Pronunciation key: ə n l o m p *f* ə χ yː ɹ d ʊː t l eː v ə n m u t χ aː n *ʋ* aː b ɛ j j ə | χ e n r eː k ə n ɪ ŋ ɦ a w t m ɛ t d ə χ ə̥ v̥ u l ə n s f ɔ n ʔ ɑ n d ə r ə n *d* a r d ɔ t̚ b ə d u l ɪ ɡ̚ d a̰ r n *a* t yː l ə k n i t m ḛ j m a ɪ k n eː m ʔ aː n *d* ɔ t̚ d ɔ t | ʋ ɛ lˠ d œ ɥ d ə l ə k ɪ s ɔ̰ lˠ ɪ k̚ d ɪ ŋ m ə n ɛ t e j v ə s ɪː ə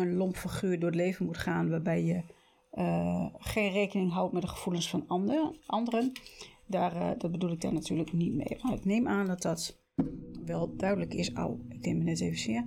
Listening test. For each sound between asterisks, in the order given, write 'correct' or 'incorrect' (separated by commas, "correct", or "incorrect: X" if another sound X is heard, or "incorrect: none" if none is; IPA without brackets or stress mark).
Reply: correct, correct, correct, correct, correct